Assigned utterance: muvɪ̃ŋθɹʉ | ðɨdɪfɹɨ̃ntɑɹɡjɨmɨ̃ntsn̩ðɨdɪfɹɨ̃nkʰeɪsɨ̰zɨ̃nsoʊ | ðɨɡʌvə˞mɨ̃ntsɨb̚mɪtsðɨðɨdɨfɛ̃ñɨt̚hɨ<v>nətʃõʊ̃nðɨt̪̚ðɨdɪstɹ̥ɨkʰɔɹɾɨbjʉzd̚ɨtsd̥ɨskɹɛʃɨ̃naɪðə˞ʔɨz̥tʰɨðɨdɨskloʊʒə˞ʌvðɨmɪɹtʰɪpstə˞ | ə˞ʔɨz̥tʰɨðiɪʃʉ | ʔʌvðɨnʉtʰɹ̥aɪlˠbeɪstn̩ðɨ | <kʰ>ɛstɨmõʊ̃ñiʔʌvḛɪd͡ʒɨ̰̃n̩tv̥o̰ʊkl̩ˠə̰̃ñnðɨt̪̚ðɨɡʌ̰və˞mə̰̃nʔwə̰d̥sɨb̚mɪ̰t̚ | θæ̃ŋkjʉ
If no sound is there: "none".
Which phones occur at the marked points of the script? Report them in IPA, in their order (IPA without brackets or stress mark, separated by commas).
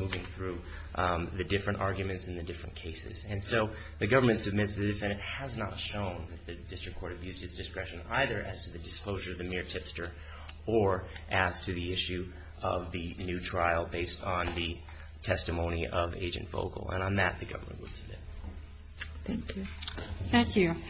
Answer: z, tʰ